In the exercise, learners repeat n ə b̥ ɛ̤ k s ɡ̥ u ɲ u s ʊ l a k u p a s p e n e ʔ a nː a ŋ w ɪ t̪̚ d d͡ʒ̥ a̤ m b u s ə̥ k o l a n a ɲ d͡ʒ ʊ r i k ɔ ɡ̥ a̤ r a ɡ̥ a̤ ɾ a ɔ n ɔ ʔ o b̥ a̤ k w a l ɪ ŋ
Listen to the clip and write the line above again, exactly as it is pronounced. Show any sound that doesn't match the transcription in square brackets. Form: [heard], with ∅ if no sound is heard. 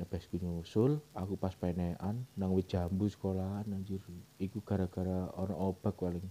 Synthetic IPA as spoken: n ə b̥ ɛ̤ [∅] s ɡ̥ u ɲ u s ʊ l a k u p a s p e n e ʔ a nː a ŋ w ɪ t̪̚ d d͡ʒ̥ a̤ m b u s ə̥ k o l a n a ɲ d͡ʒ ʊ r i k [u] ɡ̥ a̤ [ɾ] a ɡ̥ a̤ ɾ a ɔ n ɔ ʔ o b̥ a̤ k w a l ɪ ŋ